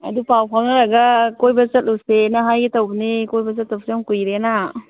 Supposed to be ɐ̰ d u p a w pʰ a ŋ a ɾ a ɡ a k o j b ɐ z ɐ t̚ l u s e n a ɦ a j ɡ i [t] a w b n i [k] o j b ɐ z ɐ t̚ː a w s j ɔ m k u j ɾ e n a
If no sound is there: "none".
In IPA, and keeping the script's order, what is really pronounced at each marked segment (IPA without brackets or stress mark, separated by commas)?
t, k